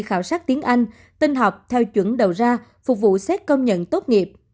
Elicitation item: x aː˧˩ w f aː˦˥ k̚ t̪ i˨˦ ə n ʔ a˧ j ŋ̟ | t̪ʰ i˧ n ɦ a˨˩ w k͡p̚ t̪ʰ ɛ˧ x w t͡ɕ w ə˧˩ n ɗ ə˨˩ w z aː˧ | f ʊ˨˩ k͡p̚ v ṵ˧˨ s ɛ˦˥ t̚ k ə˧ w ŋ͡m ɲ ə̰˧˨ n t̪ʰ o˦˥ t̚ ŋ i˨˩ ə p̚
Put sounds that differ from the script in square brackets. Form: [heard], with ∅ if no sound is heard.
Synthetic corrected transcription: x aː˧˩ w [s] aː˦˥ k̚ t̪ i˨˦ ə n ʔ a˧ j ŋ̟ | [t̪] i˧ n ɦ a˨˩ w k͡p̚ t̪ʰ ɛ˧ [∅] w t͡ɕ w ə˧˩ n ɗ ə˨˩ w z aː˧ | f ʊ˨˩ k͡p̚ v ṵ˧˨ s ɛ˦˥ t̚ k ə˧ w ŋ͡m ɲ ə̰˧˨ n [t̪] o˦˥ t̚ ŋ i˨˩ ə p̚